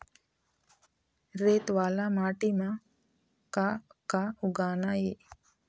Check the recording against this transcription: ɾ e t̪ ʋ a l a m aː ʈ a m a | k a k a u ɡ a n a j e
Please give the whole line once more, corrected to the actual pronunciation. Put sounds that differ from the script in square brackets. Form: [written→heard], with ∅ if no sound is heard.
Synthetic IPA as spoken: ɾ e t̪ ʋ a l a m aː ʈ [a→i] m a | k a k a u ɡ a n a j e